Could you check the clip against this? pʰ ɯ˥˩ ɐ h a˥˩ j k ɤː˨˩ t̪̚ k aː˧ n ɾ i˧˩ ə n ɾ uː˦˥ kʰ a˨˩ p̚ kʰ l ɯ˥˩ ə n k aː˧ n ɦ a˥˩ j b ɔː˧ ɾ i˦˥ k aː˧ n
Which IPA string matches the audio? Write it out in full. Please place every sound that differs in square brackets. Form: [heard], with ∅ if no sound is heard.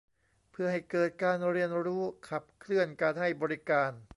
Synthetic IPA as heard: pʰ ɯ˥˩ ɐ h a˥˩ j k ɤː˨˩ t̪̚ k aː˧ n ɾ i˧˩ ə n ɾ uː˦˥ kʰ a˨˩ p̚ kʰ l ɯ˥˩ ə n k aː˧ n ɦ a˥˩ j b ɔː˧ ɾ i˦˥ k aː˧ n